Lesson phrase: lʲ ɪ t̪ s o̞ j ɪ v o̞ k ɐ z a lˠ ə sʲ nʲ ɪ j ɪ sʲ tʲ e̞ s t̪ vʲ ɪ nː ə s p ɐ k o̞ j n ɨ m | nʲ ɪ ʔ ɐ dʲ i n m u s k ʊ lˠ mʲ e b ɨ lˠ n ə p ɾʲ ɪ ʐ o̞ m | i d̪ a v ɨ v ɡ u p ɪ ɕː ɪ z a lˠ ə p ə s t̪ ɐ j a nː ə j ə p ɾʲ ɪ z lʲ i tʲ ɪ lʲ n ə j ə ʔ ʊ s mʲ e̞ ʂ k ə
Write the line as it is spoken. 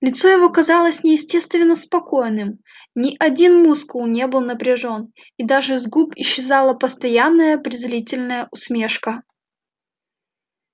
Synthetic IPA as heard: lʲ ɪ t̪ s o̞ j ɪ v o̞ k ɐ z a lˠ ə sʲ nʲ ɪ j ɪ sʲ tʲ e̞ s t̪ vʲ ɪ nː ə s p ɐ k o̞ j n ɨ m | nʲ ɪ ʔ ɐ dʲ i n m u s k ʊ lˠ nʲ e b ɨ lˠ n ə p ɾʲ ɪ ʐ o̞ n | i d̪ a ʐ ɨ z ɡ u p ɪ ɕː ɪ z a lˠ ə p ə s t̪ ɐ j a nː ə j ə p ɾʲ ɪ z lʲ i tʲ ɪ lʲ n ə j ə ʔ ʊ s mʲ e̞ ʂ k ə